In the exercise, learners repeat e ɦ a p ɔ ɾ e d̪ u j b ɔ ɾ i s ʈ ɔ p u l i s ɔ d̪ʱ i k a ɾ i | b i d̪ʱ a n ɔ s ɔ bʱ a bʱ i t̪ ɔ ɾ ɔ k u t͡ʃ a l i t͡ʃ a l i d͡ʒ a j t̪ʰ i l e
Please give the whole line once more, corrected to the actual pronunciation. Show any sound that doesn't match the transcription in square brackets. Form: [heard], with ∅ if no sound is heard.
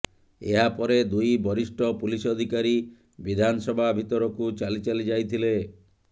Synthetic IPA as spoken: e ɦ a p ɔ ɾ e d̪ u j b ɔ ɾ i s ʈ ɔ p u l i s ɔ d̪ʱ i k a ɾ i | b i d̪ʱ a n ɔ s ɔ bʱ a bʱ i t̪ ɔ ɾ ɔ k u t͡ʃ a l i t͡ʃ a l i d͡ʒ a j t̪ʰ i l e